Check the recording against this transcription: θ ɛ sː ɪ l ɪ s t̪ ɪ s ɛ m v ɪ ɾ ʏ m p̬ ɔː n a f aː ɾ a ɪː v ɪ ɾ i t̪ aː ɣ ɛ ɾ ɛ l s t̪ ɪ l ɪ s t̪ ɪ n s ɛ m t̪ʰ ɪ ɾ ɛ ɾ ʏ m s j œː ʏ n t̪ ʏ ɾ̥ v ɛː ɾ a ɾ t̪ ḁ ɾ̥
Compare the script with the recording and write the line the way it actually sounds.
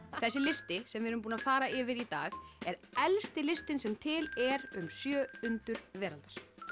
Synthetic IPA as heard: θ ɛ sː ɪ l ɪ s t̪ ɪ s ɛ m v ɪ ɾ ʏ m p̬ uː n a f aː ɾ a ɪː v ɪ ɾ i t̪ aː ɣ ɛ ɾ ɛ l s t̪ ɪ l ɪ s t̪ ɪ n s ɛ m t̪ʰ ɪ l ɛ ɾ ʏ m s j œː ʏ n t̪ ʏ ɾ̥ v ɛː ɾ a l t̪ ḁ ɾ̥

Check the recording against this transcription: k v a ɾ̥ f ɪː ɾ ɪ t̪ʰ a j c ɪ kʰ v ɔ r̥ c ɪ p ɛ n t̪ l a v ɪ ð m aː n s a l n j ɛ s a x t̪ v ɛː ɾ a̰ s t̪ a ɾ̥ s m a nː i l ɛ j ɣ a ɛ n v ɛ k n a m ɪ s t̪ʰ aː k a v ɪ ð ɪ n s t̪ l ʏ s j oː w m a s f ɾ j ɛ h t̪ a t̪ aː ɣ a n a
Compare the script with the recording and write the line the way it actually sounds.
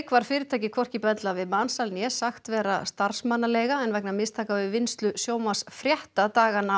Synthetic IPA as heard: k v a ɾ̥ f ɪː ɾ ɪ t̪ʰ a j c ɪ kʰ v ɔ r̥ c ɪ p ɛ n t̪ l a v ɪ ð m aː n s a l n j ɛ s a x t̪ v ɛː ɾ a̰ s t̪ a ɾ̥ s m a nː a l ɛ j ɣ a ɛ n v ɛ k n a m ɪ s t̪ʰ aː k a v ɪ v ɪ n s t̪ l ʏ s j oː w m a s f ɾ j ɛ h t̪ a t̪ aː ɣ a n a

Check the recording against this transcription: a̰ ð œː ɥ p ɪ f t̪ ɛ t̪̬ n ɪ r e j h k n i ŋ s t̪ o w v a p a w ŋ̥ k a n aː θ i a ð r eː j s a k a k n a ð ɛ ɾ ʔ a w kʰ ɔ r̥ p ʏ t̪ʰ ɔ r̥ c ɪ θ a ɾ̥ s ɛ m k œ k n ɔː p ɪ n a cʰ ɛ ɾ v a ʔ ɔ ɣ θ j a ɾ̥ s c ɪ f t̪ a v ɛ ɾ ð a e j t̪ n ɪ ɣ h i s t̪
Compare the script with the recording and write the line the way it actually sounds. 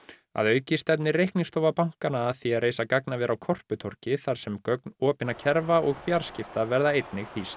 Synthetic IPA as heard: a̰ ð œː ɥ c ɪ s t̪ ɛ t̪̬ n ɪ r e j h k n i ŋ s t̪ o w v a p a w ŋ̥ k a n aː θ i a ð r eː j s a k a k n a v ɛ ɾ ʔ a w kʰ ɔ r̥ p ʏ t̪ʰ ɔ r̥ c ɪ θ a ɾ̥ s ɛ m k œ k n ɔː p ɪ n a cʰ ɛ ɾ v a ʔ ɔ ɣ f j a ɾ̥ s c ɪ f t̪ a v ɛ ɾ ð a e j t̪ n ɪ ɣ h i s t̪

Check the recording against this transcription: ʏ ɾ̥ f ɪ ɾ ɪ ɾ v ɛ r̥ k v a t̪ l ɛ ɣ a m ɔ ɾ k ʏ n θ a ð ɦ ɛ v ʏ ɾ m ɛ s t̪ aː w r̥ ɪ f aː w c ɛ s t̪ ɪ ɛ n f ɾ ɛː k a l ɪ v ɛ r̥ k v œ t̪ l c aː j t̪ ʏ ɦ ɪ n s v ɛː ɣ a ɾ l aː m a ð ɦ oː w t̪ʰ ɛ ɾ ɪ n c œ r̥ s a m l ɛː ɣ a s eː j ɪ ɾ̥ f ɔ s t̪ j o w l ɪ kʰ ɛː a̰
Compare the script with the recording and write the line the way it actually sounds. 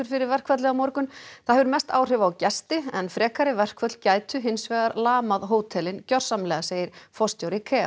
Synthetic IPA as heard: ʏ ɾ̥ f ɪ ɾ ɪ ɾ v ɛ r̥ k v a t̪ l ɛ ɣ a m ɔ ɾ k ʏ n θ a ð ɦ ɛ v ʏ ɾ m ɛ s t̪ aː w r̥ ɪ v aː w c ɛ s t̪ ɪ ɛ n f ɾ ɛː k a ɾ ɪ v ɛ r̥ k v œ t̪ l c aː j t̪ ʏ ɦ ɪ n s v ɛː ɣ a ɾ l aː m a ð ɦ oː w t̪ʰ ɛ l ɪ n c œ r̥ s a m l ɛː ɣ a s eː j ɪ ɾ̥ f ɔ s t̪ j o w ɾ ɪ kʰ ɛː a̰

